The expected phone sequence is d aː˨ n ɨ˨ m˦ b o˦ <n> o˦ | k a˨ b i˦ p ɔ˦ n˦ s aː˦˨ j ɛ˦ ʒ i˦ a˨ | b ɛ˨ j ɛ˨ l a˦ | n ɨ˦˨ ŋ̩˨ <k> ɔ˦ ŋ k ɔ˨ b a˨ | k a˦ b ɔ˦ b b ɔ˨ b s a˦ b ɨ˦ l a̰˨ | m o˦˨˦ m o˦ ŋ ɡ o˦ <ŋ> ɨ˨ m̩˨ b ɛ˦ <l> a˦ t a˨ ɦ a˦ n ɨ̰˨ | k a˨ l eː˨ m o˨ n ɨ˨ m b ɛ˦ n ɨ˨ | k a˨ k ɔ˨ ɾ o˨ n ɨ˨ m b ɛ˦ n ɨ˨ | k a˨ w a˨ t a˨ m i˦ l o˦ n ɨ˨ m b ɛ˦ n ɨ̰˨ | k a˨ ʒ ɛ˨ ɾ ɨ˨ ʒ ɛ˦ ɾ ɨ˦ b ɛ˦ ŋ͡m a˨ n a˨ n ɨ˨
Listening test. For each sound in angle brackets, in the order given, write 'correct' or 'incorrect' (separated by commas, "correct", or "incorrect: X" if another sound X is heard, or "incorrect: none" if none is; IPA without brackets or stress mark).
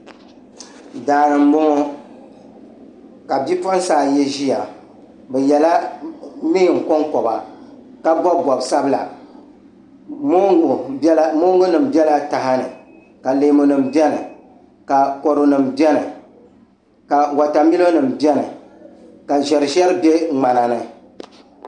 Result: incorrect: ŋ, correct, incorrect: n, correct